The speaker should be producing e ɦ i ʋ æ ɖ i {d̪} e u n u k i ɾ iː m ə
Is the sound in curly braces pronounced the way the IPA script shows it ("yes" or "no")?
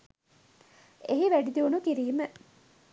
yes